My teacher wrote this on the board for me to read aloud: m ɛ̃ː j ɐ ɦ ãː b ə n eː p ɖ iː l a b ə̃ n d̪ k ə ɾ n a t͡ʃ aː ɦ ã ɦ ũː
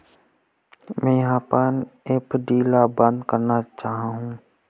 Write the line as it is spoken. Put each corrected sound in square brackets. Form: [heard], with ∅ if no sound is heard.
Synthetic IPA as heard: m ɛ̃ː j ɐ ɦ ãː [p] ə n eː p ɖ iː l a b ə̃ n d̪ k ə ɾ n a t͡ʃ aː ɦ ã ɦ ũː

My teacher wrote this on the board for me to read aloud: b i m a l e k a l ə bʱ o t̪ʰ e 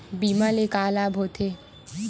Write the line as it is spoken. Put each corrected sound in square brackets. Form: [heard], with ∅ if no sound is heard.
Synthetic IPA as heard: b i m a l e k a l [a] bʱ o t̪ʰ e

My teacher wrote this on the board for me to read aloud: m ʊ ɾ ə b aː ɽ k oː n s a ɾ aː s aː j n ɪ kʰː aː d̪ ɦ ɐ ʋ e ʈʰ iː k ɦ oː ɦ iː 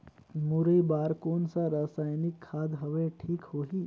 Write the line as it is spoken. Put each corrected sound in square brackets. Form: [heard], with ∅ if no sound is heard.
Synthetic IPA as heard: m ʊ ɾ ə b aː [ɾ] k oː n s a ɾ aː s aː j n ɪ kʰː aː d̪ ɦ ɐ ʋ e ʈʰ iː k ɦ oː ɦ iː

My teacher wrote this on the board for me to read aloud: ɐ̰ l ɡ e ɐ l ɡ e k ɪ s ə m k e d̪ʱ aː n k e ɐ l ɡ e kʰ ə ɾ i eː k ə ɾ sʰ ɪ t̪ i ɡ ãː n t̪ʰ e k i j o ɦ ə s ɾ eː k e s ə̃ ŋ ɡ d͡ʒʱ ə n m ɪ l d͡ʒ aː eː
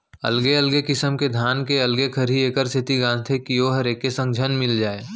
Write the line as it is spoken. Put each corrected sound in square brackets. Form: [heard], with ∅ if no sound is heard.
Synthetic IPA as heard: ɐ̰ l ɡ e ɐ l ɡ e k ɪ s ə m k e d̪ʱ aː n k e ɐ l ɡ e kʰ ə ɾ i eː k ə ɾ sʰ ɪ t̪ i ɡ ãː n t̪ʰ e k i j o ɦ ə [∅] ɾ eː k e s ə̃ ŋ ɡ d͡ʒʱ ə n m ɪ l d͡ʒ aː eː

